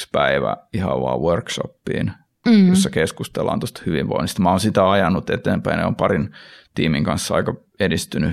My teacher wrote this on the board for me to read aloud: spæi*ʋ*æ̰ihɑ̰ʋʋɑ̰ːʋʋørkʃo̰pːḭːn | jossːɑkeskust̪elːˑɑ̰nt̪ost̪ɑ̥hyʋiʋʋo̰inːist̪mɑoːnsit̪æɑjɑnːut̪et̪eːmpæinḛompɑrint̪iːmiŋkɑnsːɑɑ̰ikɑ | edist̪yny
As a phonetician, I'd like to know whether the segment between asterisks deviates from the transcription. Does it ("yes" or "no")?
no